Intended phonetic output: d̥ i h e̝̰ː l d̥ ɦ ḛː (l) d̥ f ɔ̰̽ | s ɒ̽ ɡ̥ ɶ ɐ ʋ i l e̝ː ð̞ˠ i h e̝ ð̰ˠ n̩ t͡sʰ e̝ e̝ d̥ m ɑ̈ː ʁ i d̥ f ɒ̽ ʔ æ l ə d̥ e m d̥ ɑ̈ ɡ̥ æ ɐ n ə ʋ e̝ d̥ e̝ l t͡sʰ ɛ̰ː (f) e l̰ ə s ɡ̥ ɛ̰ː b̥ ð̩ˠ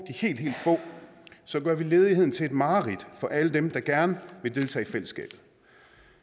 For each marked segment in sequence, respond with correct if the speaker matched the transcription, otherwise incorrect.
correct, correct

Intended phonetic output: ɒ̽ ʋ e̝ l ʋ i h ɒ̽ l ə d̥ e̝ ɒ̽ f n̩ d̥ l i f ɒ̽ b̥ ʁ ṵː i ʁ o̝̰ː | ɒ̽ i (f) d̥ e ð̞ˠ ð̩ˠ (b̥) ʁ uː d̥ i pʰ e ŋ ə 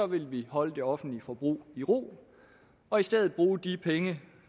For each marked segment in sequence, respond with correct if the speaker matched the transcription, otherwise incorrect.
incorrect, correct

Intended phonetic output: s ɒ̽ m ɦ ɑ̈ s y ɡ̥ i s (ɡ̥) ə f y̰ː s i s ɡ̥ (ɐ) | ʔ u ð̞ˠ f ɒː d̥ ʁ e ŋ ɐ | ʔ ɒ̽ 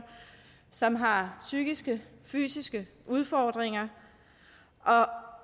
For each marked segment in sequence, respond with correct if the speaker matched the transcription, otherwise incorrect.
correct, incorrect

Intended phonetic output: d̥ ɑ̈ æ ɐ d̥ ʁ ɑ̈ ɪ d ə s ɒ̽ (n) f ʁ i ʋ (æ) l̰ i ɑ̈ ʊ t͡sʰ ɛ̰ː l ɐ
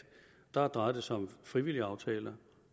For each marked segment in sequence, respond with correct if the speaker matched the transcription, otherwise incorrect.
incorrect, incorrect

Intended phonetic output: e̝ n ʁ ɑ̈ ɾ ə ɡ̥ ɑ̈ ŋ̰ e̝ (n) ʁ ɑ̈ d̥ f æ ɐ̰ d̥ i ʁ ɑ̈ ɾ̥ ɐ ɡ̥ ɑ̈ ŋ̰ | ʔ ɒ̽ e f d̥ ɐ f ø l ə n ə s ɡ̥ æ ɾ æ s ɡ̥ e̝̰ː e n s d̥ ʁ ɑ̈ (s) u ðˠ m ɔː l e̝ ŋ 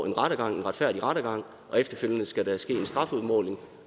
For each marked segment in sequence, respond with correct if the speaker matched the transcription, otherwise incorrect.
correct, incorrect

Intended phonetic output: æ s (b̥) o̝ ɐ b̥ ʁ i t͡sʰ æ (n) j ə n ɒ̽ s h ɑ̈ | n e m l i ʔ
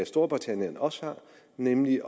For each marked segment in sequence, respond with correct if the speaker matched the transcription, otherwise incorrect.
incorrect, correct

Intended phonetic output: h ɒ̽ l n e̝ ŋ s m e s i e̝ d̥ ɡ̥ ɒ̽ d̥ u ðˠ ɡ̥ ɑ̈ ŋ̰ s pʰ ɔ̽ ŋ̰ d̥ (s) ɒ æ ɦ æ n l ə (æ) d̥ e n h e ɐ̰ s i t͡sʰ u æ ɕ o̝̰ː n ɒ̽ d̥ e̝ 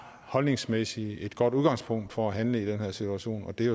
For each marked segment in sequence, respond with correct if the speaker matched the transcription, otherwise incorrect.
incorrect, incorrect

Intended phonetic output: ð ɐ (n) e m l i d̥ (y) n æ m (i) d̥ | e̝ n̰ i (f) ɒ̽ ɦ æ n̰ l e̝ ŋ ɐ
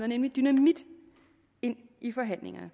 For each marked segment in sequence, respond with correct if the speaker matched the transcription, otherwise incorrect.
correct, correct, correct, correct

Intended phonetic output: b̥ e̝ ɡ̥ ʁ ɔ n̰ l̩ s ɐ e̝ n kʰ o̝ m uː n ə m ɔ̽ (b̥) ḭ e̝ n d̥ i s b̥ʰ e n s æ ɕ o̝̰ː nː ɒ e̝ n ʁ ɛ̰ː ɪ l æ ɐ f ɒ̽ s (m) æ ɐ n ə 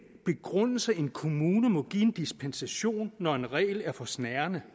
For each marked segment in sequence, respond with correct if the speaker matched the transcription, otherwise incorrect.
incorrect, incorrect

